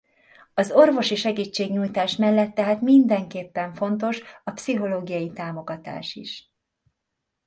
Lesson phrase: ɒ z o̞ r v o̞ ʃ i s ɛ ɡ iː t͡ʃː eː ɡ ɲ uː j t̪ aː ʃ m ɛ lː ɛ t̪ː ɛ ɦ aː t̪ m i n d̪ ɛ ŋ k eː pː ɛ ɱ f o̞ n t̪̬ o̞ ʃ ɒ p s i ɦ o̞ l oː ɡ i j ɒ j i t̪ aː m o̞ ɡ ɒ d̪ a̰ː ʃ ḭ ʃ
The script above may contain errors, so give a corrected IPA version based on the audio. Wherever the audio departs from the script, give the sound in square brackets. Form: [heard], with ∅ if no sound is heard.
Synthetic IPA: ɒ z o̞ r v o̞ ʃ i [ʃ] ɛ ɡ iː t͡ʃː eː ɡ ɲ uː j t̪ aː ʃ m ɛ lː ɛ t̪ː ɛ ɦ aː t̪ m i n d̪ ɛ ŋ k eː pː ɛ ɱ f o̞ n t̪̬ o̞ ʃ ɒ p s i ɦ o̞ l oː ɡ i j ɒ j i t̪ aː m o̞ ɡ ɒ [t̪] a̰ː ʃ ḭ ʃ